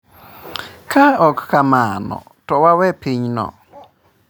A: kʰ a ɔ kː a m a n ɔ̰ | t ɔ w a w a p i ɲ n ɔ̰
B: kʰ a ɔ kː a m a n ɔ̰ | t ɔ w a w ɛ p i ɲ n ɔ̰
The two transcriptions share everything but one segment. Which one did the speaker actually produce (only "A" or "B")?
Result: B